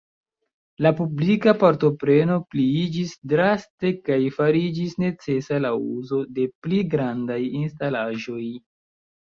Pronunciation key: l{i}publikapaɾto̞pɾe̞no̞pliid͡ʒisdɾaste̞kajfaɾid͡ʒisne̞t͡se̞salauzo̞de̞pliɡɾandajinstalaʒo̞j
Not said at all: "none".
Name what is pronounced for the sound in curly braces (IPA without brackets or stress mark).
a